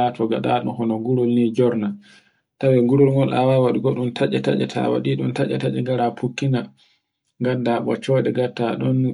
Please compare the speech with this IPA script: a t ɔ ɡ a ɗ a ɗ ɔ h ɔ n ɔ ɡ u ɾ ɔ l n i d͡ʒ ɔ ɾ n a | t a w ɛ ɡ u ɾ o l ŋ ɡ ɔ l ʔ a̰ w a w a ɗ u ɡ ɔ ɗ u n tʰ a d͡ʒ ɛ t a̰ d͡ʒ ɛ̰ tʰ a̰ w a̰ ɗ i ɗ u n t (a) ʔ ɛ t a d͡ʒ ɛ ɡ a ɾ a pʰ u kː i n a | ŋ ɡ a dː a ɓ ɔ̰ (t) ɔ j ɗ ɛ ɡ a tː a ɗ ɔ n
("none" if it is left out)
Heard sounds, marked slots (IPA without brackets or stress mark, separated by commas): a, t͡ʃ